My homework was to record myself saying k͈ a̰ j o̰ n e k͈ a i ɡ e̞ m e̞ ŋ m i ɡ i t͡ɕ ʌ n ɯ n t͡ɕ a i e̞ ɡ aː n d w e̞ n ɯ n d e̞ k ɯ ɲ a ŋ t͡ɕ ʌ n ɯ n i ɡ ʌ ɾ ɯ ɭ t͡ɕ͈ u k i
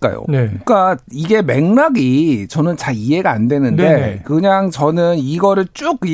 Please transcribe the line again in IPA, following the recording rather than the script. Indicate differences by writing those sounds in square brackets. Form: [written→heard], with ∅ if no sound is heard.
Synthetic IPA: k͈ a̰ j o̰ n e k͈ a i ɡ e̞ m e̞ ŋ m [i→a] ɡ i t͡ɕ ʌ n ɯ n t͡ɕ a i e̞ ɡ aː n d w e̞ n ɯ n d e̞ k ɯ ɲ a ŋ t͡ɕ ʌ n ɯ n i ɡ ʌ ɾ ɯ ɭ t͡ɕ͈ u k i